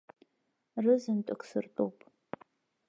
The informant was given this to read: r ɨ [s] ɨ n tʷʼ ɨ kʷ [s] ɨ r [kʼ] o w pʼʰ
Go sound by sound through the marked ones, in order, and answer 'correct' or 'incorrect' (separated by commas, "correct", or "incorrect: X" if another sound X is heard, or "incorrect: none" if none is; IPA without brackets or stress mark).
incorrect: z, correct, incorrect: tʼ